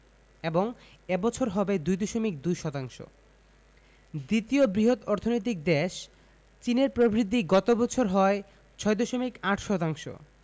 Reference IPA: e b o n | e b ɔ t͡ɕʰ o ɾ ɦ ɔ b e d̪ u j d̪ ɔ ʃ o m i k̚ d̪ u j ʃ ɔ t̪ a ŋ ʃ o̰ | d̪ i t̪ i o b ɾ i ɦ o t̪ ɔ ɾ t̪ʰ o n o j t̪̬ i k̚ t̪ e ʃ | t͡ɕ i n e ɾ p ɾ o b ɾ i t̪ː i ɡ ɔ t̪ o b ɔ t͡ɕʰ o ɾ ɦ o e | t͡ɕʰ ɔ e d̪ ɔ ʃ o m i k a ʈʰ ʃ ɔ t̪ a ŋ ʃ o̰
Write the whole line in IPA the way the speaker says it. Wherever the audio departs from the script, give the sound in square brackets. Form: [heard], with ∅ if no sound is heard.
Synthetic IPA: e b o [ŋ] | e b ɔ t͡ɕʰ o ɾ ɦ ɔ b e d̪ u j d̪ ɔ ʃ o m i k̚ d̪ u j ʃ ɔ t̪ a ŋ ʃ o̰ | d̪ i t̪ i o b ɾ i ɦ o t̪ ɔ ɾ t̪ʰ o n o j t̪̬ i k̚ [d̪] e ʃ | t͡ɕ i n e ɾ p ɾ o b ɾ i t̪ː i ɡ ɔ t̪ o b ɔ t͡ɕʰ o ɾ ɦ [ɔ] e | t͡ɕʰ ɔ e d̪ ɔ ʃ o m i k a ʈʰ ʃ ɔ t̪ a ŋ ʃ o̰